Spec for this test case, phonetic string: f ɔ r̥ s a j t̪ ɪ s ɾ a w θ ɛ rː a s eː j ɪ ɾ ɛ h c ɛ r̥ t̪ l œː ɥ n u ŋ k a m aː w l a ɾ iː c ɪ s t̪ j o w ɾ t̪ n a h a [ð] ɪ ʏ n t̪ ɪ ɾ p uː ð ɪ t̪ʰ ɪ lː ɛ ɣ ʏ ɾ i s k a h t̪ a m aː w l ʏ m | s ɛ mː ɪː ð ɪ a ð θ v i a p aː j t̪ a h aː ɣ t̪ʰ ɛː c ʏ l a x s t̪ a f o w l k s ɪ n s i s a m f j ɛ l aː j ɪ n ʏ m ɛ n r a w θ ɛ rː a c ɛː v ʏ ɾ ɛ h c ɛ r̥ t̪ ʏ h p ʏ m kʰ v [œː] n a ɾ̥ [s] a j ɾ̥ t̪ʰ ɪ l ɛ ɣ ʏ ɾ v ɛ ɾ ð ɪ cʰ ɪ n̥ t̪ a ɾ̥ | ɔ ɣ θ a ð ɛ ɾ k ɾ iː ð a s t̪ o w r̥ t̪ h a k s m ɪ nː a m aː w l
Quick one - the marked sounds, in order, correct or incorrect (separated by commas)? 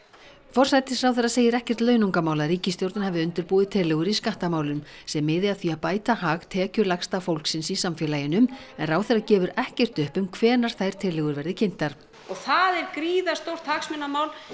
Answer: incorrect, incorrect, incorrect